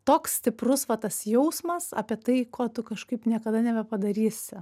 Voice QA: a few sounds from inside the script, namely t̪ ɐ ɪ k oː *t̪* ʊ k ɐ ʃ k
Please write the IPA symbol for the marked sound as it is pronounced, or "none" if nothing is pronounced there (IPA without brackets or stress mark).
t̪